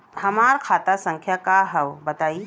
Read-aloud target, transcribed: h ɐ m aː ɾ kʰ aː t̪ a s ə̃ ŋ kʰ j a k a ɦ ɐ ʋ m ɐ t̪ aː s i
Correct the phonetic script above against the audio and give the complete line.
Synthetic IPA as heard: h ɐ m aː ɾ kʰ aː t̪ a s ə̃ ŋ kʰ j a k a ɦ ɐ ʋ b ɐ t̪ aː i